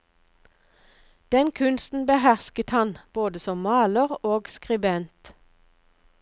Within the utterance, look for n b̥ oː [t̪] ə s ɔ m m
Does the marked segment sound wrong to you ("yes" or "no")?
yes